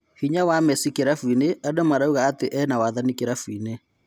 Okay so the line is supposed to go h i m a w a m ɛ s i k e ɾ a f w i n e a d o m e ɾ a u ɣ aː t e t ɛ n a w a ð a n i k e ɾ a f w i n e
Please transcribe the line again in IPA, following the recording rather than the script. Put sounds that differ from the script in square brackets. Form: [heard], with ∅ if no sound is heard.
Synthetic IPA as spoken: h i [ɲ] a w a m ɛ s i k e ɾ a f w i n e a d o m [a] ɾ a u ɣ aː t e [ʔ] ɛ n a w a ð a n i k e ɾ a f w i n e